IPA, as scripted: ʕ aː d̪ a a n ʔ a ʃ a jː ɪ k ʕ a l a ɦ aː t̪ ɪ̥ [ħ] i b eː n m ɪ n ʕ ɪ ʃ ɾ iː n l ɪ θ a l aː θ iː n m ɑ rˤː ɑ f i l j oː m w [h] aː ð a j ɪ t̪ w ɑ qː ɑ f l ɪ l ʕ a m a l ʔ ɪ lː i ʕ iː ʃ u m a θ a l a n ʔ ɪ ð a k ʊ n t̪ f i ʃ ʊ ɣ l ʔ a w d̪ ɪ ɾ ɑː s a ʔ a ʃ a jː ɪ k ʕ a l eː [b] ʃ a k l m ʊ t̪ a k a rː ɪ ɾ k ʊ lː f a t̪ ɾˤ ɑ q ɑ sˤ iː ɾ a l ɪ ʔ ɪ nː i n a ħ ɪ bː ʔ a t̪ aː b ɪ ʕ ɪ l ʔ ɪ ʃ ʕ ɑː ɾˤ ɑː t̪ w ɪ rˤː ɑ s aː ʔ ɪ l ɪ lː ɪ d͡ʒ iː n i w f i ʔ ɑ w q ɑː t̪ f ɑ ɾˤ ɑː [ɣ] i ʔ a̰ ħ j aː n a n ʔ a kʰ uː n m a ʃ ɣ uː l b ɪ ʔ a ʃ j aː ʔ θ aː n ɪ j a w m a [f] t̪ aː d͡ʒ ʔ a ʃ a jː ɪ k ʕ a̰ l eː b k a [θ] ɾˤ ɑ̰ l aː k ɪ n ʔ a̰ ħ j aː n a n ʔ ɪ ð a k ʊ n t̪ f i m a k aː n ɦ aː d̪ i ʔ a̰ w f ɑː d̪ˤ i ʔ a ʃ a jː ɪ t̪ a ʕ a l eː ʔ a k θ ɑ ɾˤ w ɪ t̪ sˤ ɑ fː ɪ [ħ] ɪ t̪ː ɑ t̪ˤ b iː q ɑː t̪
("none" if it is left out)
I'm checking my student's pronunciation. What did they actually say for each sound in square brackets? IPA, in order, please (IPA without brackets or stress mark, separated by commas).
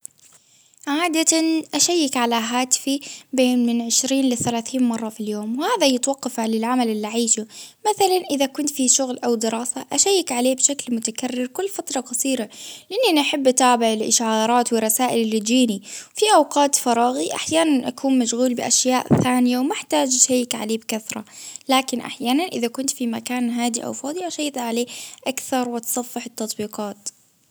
f, h, b, ɣ, ħ, θ, ħ